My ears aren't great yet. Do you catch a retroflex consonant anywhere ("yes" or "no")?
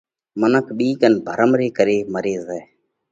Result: no